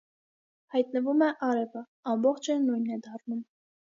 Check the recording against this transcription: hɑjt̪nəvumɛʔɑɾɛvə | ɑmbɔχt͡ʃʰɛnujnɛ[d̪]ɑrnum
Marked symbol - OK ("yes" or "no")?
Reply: yes